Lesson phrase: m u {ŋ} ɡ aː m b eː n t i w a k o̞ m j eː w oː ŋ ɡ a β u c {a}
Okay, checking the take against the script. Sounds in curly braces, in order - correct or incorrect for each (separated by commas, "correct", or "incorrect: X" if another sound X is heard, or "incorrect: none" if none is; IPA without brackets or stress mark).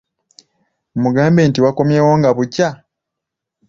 incorrect: none, correct